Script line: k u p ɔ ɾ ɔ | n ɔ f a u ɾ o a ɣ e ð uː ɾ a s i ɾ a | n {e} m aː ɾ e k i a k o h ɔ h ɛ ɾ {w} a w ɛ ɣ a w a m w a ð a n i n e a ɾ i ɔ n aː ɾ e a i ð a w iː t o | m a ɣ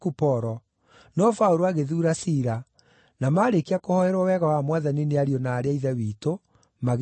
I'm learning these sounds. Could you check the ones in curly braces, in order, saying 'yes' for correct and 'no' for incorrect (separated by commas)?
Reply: no, yes